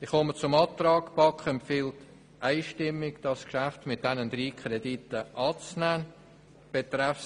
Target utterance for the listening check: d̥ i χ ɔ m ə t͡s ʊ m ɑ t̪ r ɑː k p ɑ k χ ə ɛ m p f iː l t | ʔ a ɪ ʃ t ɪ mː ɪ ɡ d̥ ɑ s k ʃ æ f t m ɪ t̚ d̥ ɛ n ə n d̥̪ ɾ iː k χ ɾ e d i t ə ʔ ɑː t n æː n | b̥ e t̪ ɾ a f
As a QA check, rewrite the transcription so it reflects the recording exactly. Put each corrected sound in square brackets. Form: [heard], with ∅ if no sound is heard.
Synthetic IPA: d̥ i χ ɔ m ə t͡s ʊ m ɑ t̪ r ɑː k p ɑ k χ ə ɛ m p f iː l t | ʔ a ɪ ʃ t ɪ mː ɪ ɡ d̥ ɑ s k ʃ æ f t m ɪ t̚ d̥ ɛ n ə n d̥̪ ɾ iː k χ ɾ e d i t ə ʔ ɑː [t͡s] n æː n | b̥ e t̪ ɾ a f